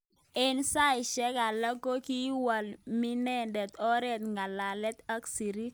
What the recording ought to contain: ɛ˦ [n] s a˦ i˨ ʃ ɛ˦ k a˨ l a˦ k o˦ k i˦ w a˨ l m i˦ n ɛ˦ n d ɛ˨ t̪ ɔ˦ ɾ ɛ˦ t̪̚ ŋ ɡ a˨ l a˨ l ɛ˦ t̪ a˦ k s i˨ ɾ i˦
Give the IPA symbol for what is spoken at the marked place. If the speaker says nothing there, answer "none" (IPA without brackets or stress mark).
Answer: n